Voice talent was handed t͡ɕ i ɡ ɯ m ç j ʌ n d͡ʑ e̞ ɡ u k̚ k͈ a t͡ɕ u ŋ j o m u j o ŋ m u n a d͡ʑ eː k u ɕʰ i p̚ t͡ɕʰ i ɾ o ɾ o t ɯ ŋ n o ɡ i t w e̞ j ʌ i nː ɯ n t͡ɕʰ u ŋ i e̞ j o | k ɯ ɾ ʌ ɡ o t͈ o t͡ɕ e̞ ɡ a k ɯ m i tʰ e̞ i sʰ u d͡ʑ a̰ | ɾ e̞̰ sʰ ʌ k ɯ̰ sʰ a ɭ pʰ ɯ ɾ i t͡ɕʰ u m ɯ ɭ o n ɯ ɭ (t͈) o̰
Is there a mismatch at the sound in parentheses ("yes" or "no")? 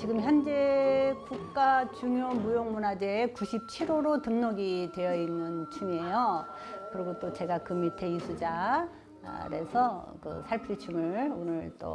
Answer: no